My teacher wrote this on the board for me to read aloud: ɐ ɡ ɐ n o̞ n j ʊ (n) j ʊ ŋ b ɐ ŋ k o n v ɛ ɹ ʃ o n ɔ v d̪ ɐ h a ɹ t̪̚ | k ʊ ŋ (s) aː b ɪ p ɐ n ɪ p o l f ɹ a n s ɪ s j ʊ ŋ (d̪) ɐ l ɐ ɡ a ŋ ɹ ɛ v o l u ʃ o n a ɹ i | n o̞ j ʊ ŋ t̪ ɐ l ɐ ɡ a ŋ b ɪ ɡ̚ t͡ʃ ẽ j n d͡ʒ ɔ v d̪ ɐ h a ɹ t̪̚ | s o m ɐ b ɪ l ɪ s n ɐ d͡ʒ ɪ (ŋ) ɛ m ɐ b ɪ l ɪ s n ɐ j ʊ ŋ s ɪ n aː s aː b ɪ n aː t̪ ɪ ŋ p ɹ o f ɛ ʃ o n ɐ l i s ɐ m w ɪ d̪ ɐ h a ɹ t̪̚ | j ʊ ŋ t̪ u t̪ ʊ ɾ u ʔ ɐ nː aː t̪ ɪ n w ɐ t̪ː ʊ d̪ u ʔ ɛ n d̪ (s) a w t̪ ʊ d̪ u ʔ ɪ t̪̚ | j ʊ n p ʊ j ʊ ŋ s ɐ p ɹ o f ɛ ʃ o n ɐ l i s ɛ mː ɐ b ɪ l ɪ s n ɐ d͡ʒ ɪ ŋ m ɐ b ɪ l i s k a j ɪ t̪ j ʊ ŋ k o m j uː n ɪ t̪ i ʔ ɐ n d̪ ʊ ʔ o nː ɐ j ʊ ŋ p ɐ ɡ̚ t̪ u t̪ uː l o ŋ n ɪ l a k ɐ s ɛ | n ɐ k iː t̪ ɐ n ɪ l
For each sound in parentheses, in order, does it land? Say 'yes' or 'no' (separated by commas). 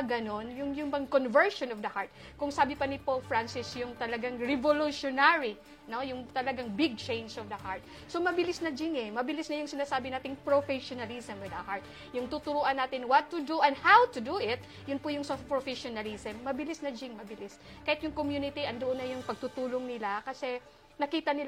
no, yes, no, yes, no